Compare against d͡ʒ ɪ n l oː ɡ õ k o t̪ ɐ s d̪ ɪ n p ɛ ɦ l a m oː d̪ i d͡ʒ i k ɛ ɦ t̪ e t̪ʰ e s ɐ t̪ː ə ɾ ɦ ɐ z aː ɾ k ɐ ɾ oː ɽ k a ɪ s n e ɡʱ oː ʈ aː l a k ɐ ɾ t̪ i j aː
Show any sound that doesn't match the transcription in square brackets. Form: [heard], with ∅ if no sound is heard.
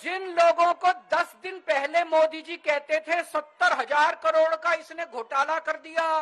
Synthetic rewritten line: d͡ʒ ɪ n l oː ɡ õ k o [d̪] ɐ s d̪ ɪ n p ɛ ɦ l [e] m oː d̪ i d͡ʒ i k ɛ ɦ t̪ e t̪ʰ e s ɐ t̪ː ə ɾ ɦ ɐ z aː ɾ k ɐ ɾ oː ɽ k a ɪ s n e ɡʱ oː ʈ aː l a k ɐ ɾ [d̪] i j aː

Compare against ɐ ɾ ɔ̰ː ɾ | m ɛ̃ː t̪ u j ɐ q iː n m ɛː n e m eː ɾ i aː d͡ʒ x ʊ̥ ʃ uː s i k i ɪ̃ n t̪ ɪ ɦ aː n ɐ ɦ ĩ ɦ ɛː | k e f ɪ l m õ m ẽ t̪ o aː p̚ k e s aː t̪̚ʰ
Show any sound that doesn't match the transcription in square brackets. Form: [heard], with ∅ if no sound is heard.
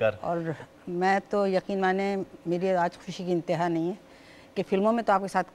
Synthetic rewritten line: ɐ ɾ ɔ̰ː ɾ | m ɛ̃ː t̪ [o] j ɐ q iː n m [aː] n e m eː ɾ i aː d͡ʒ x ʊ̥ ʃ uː [ʃ] i k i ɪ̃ n t̪ ɪ ɦ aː n ɐ ɦ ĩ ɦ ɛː | k e f ɪ l m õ m ẽ t̪ o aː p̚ k e s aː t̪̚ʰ

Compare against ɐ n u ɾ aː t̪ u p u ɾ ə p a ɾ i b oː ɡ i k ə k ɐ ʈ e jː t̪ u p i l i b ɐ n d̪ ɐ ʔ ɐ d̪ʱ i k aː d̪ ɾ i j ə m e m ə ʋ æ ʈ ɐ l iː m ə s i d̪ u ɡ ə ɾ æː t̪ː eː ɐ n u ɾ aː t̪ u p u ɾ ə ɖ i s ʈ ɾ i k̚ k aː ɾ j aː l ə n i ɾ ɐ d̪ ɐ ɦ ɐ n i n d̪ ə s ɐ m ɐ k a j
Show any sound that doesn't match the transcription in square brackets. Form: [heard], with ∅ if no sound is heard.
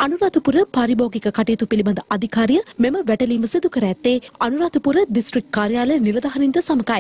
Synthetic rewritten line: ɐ n u ɾ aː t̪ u p u ɾ ə p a ɾ i b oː ɡ i k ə k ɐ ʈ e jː t̪ u p i l i b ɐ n d̪ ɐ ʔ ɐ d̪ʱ i k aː [∅] ɾ i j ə m e m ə ʋ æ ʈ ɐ l iː m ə s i d̪ u [k] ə ɾ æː t̪ː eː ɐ n u ɾ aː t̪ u p u ɾ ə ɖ i s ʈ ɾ i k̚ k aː ɾ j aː l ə n i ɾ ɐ d̪ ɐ ɦ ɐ n i n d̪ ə s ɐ m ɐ k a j

